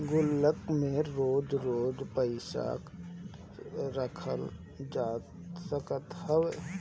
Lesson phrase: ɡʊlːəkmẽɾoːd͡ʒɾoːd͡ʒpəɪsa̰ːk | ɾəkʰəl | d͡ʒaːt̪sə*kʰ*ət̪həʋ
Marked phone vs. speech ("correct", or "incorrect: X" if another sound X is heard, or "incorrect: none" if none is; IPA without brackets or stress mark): incorrect: k